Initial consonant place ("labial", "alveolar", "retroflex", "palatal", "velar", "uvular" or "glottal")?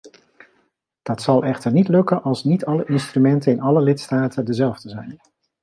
alveolar